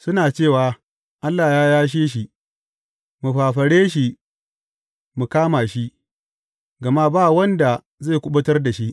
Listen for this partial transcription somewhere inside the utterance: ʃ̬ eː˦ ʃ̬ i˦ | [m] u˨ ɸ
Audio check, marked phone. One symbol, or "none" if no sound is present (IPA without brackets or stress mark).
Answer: m